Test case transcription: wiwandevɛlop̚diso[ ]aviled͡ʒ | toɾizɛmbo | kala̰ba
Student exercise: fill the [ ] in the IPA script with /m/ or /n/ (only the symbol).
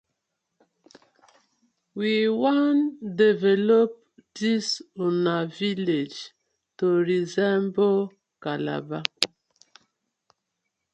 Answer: n